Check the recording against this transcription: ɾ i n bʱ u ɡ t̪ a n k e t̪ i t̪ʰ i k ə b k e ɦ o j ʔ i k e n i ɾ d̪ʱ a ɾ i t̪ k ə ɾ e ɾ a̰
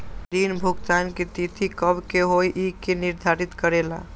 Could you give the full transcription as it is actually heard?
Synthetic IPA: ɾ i n bʱ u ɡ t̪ a n k e t̪ i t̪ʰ i k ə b k e ɦ o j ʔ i k e n i ɾ d̪ʱ a ɾ i t̪ k ə ɾ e l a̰